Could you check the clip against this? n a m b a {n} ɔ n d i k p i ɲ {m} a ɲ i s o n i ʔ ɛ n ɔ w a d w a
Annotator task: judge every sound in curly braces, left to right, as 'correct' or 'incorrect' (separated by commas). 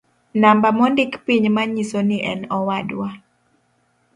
incorrect, correct